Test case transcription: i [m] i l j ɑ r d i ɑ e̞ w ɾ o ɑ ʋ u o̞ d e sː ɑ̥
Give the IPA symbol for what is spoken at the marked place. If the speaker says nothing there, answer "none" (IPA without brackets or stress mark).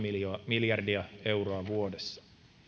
m